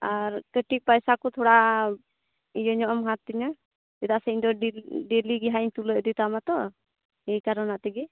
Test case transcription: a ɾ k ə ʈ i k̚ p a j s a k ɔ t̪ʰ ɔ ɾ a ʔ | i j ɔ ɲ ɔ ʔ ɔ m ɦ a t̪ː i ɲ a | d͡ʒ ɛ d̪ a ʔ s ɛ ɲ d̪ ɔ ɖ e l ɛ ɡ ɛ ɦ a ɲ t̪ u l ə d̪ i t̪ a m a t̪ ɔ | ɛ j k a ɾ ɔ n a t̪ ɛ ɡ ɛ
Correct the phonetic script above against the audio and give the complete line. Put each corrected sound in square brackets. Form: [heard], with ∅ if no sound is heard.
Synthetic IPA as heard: a ɾ k ə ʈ i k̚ p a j s a k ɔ t̪ʰ ɔ [ɽ] a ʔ | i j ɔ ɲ ɔ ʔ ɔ m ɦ a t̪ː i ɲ a | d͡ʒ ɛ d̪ a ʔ s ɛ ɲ d̪ ɔ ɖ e l [i] ɡ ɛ ɦ a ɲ t̪ u l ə d̪ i t̪ a m a t̪ ɔ | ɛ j k a ɾ ɔ n a t̪ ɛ ɡ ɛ

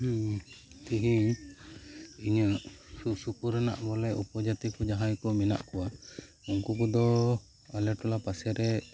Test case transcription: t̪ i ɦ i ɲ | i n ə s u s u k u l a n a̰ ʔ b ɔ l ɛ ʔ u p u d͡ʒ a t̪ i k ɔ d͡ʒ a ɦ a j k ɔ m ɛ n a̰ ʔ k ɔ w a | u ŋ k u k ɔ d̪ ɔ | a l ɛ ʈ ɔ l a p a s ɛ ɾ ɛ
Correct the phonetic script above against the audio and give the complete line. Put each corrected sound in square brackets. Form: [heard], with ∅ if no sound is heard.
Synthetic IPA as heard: t̪ i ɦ i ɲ | i [ɲ] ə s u s u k u [ɾ] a n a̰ ʔ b ɔ l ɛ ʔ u p [ɔ] d͡ʒ a t̪ i k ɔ d͡ʒ a ɦ a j k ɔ m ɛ n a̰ ʔ k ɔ w a | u ŋ k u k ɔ d̪ ɔ | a l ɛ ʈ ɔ l a p a s ɛ ɾ ɛ

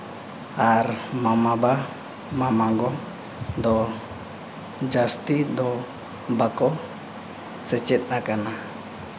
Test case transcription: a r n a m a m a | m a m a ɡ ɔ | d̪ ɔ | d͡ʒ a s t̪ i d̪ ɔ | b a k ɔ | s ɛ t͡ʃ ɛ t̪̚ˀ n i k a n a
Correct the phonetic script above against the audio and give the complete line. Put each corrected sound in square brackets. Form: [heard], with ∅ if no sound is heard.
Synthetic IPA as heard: a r [m] a m a [b] a | m a m a ɡ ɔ | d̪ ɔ | d͡ʒ a s t̪ i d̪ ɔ | b a k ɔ | s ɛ t͡ʃ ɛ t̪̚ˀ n [a] k a n a

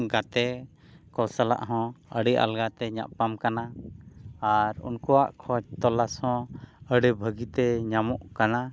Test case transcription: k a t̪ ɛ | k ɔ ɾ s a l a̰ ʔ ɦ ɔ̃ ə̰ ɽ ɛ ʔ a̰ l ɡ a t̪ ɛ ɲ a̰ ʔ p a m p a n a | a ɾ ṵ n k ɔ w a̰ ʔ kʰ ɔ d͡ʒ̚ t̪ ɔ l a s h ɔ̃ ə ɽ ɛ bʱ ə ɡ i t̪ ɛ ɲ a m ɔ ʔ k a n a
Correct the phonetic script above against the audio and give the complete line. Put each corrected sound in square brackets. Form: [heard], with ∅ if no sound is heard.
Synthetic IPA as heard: [ɡ] a t̪ ɛ | k ɔ [l] s a l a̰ ʔ ɦ ɔ̃ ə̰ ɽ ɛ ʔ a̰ l ɡ a t̪ ɛ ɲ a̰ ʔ p a m [k] a n a | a ɾ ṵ n k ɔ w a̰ ʔ kʰ ɔ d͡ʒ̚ t̪ ɔ l a s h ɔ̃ ə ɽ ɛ bʱ ə ɡ i t̪ ɛ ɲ a m ɔ ʔ k a n a

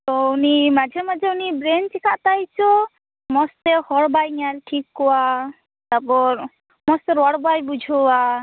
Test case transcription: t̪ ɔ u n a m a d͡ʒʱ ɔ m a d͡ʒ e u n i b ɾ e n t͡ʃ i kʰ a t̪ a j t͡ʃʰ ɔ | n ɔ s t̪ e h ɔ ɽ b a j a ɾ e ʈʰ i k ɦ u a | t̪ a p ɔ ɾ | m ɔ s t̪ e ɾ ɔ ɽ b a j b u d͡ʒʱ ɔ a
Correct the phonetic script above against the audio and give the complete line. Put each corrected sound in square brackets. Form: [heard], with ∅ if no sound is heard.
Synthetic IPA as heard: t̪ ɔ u n [i] m a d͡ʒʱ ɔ m a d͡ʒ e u n i b ɾ e n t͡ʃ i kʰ a t̪ a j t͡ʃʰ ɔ | [m] ɔ s t̪ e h ɔ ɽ b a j a ɾ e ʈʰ i k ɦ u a | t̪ a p ɔ ɾ | m ɔ s t̪ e ɾ ɔ ɽ b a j b u d͡ʒʱ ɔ a

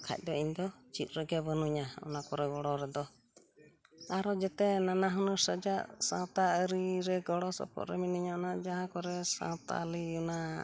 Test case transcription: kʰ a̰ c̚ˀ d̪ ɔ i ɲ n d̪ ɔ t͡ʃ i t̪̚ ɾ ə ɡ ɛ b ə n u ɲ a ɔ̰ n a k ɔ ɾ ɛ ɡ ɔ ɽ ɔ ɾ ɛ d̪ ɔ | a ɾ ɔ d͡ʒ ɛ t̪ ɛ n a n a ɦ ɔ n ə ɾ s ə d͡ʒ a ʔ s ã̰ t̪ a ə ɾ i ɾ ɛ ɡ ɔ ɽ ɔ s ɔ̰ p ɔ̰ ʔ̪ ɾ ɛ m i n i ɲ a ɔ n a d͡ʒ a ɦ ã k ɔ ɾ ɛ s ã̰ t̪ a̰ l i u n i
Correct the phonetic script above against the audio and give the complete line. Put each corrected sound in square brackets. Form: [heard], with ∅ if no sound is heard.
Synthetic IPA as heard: kʰ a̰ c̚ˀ d̪ ɔ i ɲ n d̪ ɔ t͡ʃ i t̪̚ ɾ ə ɡ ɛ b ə n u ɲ a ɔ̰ n a k ɔ ɾ ɛ ɡ ɔ ɽ ɔ ɾ ɛ d̪ ɔ | a ɾ ɔ d͡ʒ ɛ t̪ ɛ n a n a ɦ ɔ n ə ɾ s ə d͡ʒ a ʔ s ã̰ t̪ a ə ɾ i ɾ ɛ ɡ ɔ ɽ ɔ s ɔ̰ p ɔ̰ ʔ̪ ɾ ɛ m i n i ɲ a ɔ n a d͡ʒ a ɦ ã k ɔ ɾ ɛ s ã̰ t̪ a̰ l i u n [a]

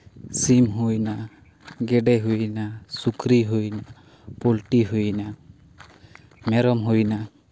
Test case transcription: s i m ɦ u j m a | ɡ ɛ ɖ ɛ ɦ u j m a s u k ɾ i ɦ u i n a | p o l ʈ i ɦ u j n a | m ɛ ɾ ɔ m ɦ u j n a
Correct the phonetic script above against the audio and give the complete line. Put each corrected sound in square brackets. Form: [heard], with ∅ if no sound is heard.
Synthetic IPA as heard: s i m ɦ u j [n] a | ɡ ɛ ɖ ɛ ɦ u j [n] a s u k ɾ i ɦ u [j] n a | p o l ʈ i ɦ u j n a | m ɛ ɾ ɔ m ɦ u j n a

